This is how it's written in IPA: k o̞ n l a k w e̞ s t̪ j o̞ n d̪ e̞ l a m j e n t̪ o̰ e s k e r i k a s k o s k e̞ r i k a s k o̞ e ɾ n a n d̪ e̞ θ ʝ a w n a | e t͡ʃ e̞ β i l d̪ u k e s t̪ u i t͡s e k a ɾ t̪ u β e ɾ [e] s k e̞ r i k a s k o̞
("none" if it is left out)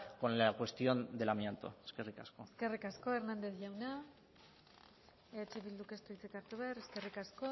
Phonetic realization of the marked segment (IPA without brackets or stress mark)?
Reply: e